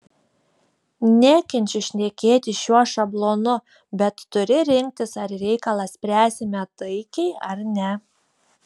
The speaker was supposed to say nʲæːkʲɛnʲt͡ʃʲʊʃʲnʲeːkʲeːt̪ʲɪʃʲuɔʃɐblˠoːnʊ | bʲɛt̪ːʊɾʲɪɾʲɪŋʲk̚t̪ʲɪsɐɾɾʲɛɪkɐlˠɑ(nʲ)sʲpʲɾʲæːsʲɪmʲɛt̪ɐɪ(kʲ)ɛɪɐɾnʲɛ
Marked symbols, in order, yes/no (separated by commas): no, yes